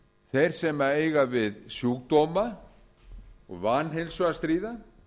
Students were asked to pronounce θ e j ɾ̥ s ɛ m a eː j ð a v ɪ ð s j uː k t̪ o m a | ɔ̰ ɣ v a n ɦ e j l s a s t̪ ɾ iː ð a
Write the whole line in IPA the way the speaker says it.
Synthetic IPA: θ e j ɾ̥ s ɛ m a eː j ɣ a v ɪ ð s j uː k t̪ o m a | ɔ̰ ɣ v a n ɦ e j l s a s t̪ ɾ iː ð a